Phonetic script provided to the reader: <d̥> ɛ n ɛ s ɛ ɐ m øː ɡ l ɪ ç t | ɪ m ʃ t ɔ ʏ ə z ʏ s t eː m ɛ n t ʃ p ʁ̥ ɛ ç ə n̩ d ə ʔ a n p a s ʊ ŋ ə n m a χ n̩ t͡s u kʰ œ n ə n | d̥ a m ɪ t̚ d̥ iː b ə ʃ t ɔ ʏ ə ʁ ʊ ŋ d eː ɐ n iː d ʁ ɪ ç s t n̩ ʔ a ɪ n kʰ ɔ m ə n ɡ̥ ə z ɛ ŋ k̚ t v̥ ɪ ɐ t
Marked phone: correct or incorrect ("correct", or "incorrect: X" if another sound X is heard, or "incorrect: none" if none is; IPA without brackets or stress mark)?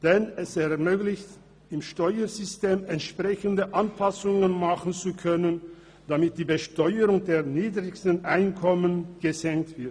correct